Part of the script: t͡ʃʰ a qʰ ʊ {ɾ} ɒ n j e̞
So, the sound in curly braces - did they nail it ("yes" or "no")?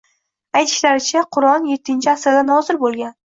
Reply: yes